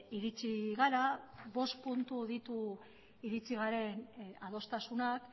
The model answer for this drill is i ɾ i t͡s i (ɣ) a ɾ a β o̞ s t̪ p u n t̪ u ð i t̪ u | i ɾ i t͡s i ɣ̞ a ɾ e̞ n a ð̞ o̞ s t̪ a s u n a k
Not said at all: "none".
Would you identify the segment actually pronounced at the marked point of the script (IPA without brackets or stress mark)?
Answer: ɣ